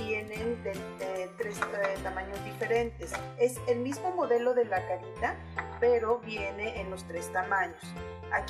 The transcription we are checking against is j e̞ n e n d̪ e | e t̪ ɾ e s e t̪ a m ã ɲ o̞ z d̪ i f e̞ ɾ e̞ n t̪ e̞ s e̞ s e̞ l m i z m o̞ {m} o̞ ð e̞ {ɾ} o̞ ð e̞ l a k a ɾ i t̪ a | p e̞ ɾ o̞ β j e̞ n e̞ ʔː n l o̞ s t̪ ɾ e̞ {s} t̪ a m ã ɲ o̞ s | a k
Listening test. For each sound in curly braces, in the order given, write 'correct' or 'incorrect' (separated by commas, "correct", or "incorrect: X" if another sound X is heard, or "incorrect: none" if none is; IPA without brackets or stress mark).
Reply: correct, incorrect: l, correct